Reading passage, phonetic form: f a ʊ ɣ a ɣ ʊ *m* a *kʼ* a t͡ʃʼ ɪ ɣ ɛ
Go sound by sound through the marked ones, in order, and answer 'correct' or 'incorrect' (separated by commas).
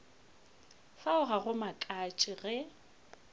correct, correct